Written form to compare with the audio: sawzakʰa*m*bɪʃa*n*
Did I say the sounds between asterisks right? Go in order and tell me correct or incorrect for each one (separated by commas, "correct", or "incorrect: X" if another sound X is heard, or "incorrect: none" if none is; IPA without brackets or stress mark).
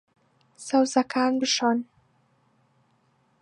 incorrect: n, correct